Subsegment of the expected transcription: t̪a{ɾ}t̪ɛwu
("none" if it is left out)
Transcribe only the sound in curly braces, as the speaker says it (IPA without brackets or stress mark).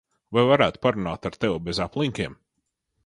ɾ